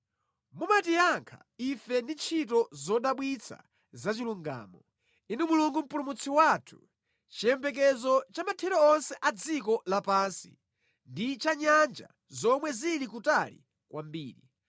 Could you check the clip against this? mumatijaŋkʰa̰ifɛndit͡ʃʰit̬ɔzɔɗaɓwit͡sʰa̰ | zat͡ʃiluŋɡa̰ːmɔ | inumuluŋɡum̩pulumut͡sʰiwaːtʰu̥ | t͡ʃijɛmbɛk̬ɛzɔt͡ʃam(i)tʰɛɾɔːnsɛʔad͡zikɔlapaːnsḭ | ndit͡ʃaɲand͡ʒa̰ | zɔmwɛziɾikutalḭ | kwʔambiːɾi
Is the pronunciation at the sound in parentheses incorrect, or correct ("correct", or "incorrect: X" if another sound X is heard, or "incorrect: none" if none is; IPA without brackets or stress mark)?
incorrect: a